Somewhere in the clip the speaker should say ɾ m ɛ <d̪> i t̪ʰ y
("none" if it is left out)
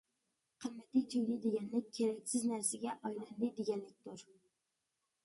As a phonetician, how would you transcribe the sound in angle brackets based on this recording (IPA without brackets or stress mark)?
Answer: t̪